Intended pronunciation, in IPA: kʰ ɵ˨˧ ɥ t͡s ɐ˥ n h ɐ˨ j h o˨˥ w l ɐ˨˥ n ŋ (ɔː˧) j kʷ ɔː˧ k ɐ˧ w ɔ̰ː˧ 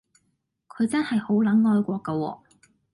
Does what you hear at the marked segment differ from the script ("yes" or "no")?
no